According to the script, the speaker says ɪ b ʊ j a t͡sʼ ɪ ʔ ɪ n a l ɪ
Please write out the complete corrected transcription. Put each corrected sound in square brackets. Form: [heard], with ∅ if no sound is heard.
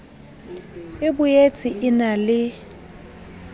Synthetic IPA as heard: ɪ b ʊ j [e] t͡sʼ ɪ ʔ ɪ n a l ɪ